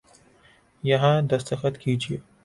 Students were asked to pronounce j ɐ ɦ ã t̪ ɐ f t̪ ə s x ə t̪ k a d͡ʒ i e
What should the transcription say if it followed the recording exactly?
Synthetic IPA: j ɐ ɦ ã d̪ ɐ s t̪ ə x ə t̪ k i d͡ʒ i e